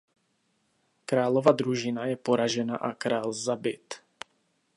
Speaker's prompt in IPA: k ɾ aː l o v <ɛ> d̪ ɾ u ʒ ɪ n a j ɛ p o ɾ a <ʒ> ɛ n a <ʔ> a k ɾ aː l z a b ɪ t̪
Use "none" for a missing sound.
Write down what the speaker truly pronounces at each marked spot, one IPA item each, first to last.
a, ʒ, ʔ

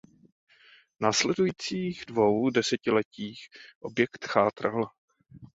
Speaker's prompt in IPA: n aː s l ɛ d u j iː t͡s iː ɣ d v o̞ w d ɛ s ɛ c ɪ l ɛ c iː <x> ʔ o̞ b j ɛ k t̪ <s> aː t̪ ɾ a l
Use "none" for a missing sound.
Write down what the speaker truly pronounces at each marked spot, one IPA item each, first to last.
x, x

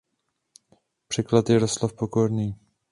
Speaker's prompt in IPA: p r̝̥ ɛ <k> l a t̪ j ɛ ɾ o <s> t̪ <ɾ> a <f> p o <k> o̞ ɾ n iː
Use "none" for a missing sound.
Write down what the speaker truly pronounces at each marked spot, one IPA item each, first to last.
k, s, l, f, k

